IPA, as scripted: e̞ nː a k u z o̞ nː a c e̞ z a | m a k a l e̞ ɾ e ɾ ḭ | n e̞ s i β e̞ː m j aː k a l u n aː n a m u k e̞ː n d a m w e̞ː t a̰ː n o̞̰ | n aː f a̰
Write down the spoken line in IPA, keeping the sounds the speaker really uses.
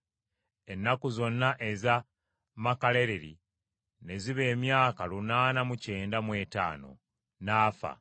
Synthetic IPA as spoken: e̞ nː a k u z o̞ nː a ʔ e̞ z a | m a k a l e̞ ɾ e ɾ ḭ | n e̞ z i β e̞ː m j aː k a l u n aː n a m u c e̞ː n d a m w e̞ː t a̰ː n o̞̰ | n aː f a̰